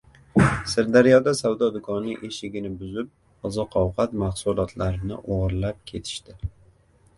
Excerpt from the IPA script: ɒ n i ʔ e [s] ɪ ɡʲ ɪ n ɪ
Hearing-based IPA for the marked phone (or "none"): ʃ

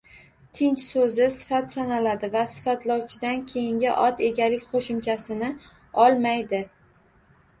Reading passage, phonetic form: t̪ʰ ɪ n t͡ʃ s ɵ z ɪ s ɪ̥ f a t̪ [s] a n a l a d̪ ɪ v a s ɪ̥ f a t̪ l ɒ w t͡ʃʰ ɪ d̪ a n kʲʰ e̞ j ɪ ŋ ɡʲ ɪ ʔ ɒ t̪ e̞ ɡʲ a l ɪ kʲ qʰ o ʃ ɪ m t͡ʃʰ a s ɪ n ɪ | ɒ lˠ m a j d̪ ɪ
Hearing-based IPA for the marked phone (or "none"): s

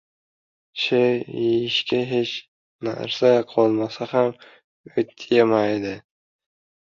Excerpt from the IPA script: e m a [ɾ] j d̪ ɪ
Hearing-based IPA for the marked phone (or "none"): none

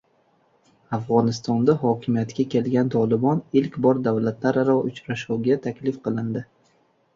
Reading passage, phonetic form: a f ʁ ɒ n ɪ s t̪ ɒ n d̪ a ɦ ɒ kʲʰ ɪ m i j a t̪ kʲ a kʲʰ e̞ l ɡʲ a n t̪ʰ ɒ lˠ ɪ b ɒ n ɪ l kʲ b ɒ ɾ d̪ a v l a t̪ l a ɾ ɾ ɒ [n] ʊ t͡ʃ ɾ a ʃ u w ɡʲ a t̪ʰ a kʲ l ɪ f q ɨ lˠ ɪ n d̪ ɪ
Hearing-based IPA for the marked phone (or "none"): none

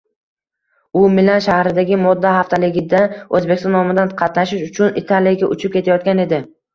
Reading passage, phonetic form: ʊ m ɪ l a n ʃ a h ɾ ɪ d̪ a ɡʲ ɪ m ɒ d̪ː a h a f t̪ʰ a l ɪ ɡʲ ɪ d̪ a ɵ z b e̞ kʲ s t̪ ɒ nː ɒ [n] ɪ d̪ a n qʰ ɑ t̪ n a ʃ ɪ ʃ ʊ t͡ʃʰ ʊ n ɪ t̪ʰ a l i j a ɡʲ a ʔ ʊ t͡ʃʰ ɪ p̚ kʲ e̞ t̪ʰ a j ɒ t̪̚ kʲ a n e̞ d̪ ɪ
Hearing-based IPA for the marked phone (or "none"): m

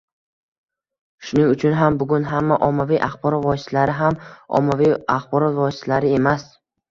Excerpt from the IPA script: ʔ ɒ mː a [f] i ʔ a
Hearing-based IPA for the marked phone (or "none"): v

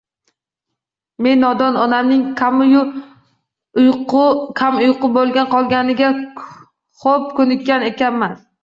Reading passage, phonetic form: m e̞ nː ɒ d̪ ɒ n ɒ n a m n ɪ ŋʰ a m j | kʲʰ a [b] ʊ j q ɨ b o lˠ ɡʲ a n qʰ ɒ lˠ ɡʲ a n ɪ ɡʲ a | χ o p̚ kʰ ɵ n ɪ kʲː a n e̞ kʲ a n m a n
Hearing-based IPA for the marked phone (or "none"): m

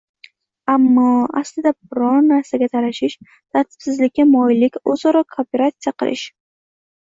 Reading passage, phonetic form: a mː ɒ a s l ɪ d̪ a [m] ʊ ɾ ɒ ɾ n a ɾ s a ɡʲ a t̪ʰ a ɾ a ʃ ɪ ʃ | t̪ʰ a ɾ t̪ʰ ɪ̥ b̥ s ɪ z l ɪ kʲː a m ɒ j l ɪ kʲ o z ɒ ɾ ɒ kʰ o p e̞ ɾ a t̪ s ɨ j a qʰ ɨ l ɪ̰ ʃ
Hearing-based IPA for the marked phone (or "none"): b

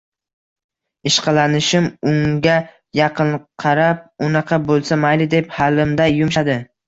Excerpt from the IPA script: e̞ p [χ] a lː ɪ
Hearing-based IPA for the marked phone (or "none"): h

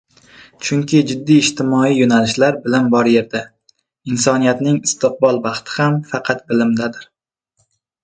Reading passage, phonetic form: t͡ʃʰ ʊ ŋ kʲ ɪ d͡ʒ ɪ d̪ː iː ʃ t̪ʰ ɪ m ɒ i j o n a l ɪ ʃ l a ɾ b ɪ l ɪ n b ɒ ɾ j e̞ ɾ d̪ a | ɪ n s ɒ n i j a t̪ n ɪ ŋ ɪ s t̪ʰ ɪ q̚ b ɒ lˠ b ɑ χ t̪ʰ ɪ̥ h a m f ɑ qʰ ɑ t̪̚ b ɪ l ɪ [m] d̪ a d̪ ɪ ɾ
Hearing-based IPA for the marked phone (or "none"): m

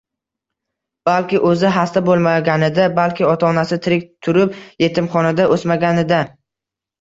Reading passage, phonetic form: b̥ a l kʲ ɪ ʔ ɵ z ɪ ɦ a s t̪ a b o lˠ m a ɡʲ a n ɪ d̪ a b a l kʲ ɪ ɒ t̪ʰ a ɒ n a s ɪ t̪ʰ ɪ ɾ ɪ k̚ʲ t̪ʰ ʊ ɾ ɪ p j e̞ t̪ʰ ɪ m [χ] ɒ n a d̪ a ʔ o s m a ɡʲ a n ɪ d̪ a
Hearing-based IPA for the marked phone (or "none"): χ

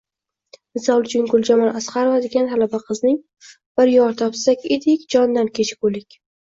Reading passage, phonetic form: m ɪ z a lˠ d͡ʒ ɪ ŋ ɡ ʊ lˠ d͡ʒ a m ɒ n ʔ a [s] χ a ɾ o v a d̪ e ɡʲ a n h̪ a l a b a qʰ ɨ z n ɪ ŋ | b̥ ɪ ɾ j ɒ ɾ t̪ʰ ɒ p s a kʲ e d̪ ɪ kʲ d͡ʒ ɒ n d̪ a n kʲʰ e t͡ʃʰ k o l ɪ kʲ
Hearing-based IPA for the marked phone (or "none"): s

